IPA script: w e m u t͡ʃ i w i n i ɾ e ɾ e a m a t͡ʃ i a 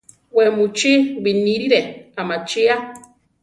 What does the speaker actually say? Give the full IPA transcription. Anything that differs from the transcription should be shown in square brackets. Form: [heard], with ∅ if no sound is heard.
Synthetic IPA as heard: w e m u t͡ʃ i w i n i ɾ [i] ɾ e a m a t͡ʃ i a